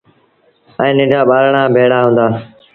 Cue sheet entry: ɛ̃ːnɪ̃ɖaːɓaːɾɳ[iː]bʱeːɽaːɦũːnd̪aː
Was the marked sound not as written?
yes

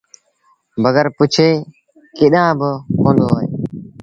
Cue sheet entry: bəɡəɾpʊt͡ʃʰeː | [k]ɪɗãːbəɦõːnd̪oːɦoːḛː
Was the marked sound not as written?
no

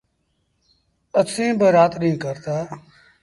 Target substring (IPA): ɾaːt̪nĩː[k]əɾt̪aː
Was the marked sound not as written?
no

